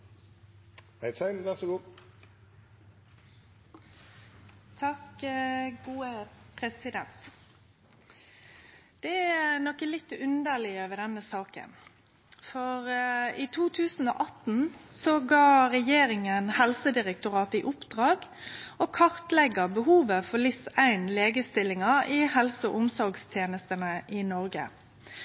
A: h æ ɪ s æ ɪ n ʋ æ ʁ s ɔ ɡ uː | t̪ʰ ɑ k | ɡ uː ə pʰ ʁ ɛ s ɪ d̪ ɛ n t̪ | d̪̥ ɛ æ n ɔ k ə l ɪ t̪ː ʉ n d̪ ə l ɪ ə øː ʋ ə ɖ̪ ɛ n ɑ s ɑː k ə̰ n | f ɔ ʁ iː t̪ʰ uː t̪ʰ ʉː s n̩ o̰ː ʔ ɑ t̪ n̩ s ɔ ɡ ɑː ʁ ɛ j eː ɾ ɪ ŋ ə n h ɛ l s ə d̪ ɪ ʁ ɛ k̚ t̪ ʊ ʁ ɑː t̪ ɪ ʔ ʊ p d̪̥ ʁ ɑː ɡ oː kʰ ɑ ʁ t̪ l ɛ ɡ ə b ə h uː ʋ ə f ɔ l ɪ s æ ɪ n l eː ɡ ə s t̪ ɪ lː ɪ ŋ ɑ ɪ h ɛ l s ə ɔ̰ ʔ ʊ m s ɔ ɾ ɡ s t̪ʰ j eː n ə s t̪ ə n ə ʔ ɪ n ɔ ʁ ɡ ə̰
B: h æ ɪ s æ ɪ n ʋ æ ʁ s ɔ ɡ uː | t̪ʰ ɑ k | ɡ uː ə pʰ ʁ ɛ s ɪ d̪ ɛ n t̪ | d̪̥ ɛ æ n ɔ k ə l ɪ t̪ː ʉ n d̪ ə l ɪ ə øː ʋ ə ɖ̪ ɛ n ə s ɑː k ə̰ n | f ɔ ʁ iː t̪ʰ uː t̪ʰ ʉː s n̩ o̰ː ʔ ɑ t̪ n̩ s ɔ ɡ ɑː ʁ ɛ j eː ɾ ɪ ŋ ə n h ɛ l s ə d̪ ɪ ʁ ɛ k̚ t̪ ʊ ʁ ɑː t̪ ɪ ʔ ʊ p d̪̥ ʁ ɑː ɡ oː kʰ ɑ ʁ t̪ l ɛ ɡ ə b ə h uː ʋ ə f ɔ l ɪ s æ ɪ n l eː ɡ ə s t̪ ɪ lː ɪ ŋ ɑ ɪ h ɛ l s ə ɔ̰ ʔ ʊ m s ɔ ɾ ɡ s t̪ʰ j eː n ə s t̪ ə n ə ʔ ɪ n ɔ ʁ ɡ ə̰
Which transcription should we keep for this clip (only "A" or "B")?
B